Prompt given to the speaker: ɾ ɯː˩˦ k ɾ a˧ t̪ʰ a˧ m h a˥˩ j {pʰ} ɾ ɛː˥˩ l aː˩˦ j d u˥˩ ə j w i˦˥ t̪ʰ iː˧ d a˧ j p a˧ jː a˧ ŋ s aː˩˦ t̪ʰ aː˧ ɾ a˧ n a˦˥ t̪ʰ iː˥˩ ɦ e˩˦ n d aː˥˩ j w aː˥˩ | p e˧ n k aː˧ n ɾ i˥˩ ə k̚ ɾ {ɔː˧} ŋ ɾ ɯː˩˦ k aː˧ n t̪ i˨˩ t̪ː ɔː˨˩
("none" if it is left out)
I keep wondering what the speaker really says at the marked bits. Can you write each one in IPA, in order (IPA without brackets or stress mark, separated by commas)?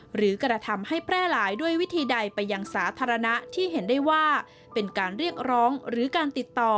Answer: pʰ, ɔː˦˥